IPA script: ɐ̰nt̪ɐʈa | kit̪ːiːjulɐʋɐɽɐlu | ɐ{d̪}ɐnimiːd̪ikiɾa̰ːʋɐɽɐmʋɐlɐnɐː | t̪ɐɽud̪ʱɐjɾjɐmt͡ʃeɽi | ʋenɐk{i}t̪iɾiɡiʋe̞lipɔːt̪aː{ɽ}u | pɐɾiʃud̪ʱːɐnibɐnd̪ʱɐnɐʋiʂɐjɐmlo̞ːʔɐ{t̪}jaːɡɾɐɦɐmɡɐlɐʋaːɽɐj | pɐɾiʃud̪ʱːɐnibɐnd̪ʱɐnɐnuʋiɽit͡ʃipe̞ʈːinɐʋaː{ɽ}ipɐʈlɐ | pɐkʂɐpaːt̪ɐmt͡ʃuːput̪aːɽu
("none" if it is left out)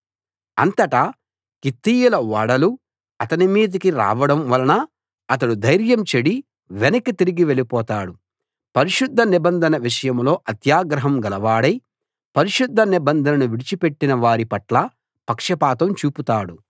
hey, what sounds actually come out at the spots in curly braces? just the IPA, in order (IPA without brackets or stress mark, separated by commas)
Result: t̪, i, ɽ, t̪, ɾ